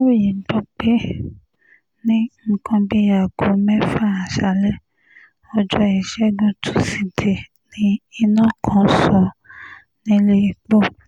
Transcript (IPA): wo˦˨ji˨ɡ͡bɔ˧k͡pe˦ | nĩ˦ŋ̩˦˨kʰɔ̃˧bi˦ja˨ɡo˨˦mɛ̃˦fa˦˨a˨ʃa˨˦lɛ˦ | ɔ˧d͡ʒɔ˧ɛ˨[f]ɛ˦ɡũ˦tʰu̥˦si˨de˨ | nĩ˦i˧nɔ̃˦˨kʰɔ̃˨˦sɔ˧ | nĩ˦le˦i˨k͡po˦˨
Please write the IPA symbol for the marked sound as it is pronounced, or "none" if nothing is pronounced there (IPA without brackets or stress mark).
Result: ʃ